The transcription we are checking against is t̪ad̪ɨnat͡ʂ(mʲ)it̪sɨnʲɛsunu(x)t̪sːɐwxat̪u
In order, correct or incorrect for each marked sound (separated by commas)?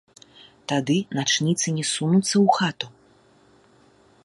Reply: incorrect, incorrect